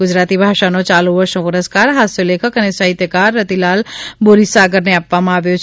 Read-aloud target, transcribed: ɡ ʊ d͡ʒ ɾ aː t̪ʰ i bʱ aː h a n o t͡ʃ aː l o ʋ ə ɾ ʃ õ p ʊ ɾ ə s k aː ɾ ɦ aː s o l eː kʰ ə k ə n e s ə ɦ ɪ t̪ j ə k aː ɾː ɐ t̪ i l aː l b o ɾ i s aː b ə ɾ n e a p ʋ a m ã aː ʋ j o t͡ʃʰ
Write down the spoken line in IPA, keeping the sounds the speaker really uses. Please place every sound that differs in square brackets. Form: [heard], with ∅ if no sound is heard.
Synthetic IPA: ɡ ʊ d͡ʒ ɾ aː [t̪] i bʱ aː [ʃ] a n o t͡ʃ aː l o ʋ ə ɾ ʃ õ p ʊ ɾ ə s k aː ɾ ɦ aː s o l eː kʰ ə k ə n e s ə ɦ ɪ t̪ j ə k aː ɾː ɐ t̪ i l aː l b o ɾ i s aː [ɡ] ə ɾ n e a p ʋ a m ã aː ʋ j o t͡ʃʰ